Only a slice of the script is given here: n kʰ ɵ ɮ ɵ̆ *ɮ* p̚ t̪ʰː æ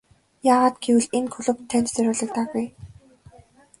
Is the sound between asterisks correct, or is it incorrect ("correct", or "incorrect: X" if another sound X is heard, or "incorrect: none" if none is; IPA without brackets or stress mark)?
incorrect: none